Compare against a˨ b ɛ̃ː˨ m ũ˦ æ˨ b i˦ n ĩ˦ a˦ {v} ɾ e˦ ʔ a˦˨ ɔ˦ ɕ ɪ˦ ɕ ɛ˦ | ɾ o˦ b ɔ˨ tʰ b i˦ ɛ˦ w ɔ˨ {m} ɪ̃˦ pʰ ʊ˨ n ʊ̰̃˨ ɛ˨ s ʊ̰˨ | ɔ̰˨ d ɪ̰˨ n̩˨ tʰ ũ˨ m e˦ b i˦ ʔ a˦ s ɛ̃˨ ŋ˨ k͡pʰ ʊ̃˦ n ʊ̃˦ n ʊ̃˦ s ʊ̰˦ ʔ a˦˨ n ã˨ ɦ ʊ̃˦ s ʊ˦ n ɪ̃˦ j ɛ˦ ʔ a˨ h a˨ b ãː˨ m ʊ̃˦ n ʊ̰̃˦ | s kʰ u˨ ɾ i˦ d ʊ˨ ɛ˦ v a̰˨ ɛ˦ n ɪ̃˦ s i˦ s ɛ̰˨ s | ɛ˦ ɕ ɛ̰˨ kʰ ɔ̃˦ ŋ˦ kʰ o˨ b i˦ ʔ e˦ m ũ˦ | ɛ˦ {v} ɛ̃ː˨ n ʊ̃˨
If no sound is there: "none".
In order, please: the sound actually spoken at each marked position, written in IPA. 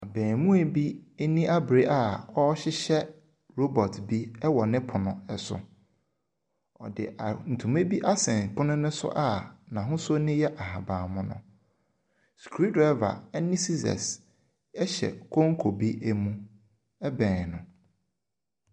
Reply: b, n, b

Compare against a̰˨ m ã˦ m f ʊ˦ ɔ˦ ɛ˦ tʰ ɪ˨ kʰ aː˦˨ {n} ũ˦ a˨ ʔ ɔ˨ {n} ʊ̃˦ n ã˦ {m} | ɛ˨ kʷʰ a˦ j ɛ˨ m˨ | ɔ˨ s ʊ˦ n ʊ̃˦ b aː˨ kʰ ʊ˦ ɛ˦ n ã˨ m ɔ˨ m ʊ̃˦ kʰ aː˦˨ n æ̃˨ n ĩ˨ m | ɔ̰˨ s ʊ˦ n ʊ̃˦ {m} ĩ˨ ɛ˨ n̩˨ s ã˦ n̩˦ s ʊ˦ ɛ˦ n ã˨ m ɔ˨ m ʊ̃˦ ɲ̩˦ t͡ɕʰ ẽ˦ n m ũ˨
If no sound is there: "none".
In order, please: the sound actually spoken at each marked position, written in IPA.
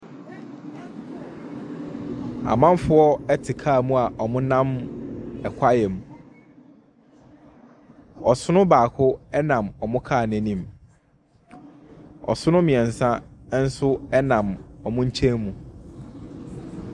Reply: m, m, m, m

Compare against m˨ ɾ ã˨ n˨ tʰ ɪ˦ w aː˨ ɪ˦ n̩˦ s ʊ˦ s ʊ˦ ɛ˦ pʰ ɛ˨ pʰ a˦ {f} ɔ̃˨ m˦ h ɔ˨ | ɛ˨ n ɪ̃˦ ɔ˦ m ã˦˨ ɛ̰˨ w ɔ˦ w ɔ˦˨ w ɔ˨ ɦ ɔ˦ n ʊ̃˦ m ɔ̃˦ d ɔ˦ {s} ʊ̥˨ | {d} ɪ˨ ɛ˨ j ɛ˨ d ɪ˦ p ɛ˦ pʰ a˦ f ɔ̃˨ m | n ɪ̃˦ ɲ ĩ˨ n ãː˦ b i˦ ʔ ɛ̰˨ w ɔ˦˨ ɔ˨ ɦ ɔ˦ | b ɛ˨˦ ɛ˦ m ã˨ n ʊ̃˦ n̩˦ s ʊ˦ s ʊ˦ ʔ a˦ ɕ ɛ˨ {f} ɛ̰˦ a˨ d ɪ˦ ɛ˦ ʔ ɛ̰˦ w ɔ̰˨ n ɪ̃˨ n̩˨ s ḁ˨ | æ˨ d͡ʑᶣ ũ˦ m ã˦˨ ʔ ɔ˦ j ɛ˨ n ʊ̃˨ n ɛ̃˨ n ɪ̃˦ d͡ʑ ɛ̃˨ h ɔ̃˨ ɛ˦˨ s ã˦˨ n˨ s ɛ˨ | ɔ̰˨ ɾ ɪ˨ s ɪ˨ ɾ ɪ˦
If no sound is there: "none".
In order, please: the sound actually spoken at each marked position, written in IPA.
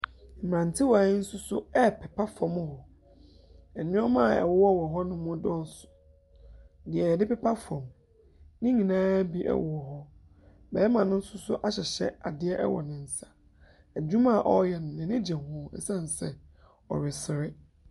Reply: f, s, d, ɕ

